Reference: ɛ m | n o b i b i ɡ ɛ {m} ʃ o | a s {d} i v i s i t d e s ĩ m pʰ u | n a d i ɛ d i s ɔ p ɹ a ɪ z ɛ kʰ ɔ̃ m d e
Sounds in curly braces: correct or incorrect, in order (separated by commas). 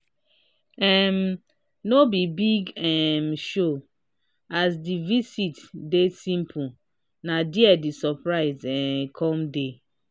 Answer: correct, correct